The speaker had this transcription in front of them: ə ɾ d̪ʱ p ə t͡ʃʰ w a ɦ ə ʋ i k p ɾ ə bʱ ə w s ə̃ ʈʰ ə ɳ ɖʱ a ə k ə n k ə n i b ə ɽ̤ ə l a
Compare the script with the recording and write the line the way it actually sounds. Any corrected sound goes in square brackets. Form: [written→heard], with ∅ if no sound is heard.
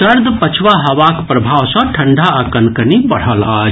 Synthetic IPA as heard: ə ɾ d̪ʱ p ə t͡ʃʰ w a ɦ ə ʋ [i→a] k p ɾ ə bʱ [ə→a] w s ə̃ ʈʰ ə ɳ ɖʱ a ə k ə n k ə n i b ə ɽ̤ ə l a